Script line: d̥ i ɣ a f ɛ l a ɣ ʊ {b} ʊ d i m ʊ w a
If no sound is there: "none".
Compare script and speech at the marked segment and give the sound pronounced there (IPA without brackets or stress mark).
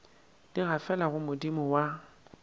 m